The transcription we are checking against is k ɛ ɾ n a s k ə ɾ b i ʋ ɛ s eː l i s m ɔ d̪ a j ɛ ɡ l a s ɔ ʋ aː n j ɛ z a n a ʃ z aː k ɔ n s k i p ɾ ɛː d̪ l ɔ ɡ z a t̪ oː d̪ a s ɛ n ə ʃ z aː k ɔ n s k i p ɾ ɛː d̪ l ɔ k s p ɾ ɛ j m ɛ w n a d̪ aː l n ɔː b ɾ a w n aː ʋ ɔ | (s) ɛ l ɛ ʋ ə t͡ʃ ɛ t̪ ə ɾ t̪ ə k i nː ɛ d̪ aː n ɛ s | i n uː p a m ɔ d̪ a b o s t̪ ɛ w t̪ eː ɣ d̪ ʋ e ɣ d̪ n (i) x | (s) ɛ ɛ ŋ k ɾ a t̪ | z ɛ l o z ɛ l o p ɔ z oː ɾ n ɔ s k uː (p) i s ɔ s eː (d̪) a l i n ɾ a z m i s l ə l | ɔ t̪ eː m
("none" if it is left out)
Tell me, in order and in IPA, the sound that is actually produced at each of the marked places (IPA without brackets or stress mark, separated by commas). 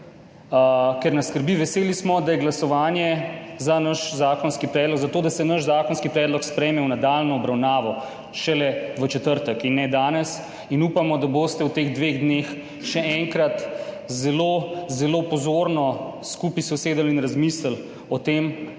ʃ, e, ʃ, p, d̪